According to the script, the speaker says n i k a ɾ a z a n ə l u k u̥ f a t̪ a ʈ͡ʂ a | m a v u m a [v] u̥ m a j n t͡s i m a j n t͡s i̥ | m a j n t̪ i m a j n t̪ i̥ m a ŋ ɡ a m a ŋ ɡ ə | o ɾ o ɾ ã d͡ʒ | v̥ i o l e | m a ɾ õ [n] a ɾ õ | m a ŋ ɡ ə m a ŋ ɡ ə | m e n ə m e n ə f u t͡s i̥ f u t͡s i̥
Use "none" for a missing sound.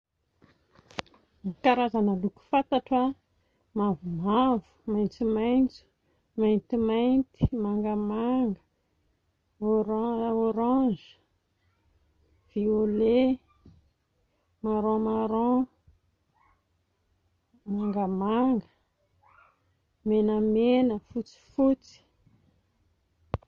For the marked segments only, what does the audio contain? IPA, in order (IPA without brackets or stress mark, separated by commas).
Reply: v, m